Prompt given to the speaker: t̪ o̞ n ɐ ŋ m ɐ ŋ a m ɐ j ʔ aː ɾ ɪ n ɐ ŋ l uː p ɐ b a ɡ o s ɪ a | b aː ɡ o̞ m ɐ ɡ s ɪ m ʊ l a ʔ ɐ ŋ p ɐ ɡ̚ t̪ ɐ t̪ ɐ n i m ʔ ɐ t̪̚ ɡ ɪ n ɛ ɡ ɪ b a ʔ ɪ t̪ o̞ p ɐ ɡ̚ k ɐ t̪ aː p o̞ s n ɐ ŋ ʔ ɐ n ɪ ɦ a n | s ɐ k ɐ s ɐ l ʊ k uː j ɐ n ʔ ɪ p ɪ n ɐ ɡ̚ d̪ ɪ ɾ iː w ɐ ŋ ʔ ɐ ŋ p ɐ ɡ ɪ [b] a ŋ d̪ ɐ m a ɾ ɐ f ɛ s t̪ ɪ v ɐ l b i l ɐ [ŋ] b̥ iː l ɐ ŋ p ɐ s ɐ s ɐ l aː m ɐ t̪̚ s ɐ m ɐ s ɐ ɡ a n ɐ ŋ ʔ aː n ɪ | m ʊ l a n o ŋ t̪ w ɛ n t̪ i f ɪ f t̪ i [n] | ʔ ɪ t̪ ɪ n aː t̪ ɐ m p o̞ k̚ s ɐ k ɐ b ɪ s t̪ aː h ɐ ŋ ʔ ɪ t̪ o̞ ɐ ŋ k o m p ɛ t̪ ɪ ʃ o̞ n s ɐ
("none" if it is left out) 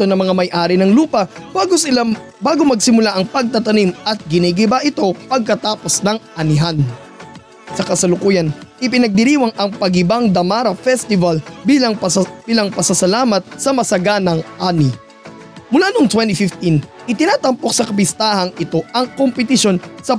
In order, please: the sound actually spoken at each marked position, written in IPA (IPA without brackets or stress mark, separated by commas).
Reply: b, ŋ, n